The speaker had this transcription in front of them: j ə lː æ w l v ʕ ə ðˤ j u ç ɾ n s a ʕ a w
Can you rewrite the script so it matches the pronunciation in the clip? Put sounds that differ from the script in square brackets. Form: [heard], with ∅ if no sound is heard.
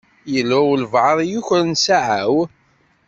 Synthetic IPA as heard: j ə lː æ w l v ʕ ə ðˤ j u ç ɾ n s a ʕ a w